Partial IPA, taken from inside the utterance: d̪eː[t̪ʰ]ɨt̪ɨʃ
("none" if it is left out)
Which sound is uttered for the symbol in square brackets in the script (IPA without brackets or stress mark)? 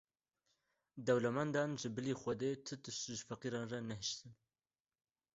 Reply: t̪ʰ